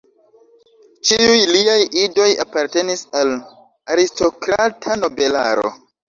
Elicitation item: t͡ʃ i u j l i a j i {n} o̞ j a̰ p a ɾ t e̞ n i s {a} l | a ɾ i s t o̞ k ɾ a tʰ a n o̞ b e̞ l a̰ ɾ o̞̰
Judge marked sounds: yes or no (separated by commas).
no, yes